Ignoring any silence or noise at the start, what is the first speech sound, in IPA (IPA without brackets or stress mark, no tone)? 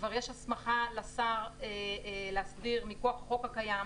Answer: v